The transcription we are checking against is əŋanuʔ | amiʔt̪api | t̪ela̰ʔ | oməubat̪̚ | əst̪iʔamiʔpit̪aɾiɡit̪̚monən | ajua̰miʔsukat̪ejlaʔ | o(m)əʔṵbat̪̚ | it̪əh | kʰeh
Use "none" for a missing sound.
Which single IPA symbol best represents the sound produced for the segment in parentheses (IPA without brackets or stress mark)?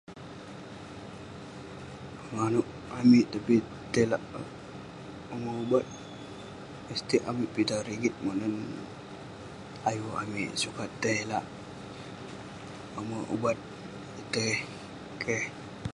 m